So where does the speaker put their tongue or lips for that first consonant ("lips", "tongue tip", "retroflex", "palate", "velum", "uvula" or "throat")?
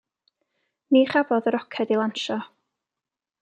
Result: tongue tip